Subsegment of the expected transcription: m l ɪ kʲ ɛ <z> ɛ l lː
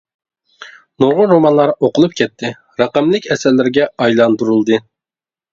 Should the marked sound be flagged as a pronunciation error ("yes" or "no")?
yes